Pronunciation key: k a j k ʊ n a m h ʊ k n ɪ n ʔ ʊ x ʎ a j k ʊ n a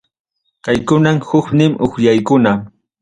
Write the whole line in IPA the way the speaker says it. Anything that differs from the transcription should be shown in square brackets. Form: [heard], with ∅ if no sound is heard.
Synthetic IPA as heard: k a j k ʊ n a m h ʊ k n ɪ [m] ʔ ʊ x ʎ a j k ʊ n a

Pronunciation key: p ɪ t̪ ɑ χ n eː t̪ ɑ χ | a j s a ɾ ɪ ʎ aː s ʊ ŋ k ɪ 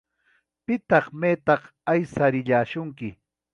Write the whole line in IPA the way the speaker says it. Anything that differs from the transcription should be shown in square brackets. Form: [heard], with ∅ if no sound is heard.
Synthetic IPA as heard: p ɪ t̪ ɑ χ [m] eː t̪ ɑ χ | a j s a ɾ ɪ ʎ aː [ʃ] ʊ ŋ k ɪ

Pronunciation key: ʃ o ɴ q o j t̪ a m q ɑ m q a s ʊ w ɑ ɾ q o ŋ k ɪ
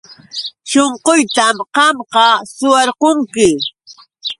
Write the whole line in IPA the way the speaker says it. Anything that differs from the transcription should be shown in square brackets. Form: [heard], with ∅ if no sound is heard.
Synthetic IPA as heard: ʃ o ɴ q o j t̪ a m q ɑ m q [ɑ] s ʊ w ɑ ɾ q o ŋ k ɪ

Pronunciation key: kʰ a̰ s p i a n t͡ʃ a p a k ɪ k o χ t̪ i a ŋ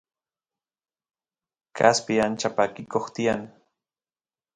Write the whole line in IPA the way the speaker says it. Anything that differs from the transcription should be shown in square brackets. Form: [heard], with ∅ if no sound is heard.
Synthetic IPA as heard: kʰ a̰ s p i a n t͡ʃ a p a k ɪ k o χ t̪ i a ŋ

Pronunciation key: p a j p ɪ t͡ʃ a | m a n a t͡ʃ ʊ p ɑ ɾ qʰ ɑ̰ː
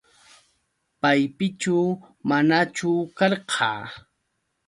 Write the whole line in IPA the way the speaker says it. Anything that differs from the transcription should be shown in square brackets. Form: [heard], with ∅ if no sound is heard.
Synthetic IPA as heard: p a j p ɪ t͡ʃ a | m a n a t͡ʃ ʊ [k] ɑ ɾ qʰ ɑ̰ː

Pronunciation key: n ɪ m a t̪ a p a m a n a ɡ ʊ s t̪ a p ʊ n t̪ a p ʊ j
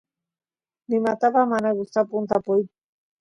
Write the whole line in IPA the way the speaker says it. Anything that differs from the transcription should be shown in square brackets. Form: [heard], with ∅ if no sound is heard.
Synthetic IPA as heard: n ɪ m a t̪ a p a m a n a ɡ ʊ s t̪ a p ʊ n t̪ a p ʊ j

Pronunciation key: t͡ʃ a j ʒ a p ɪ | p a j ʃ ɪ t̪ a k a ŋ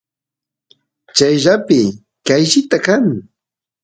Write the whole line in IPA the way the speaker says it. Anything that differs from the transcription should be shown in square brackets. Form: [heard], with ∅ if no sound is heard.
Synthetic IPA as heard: t͡ʃ a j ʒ a p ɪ | [k] a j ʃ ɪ t̪ a k a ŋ

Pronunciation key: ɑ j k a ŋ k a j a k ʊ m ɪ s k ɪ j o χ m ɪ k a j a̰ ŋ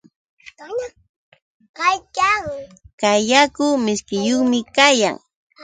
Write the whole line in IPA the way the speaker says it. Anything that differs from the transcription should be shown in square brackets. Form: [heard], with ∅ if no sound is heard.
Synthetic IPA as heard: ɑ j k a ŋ k a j a k ʊ m ɪ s k ɪ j o χ m ɪ k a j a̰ ŋ

